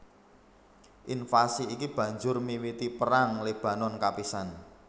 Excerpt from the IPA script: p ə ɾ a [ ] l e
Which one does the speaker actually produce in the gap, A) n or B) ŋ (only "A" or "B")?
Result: B